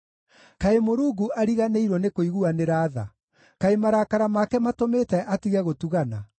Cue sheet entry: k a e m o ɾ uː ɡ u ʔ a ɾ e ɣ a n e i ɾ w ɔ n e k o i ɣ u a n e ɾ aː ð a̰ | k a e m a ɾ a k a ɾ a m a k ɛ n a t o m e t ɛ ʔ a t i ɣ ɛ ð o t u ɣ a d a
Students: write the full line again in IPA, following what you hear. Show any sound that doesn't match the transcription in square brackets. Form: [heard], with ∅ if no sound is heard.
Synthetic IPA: k a e m o ɾ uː ɡ u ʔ a ɾ [i] ɣ a n e i ɾ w ɔ n e k o i ɣ u a n e ɾ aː ð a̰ | k a e m a ɾ a k a ɾ a m a k ɛ [m] a t o m e t ɛ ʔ a t i ɣ ɛ [ɣ] o t u ɣ a [n] a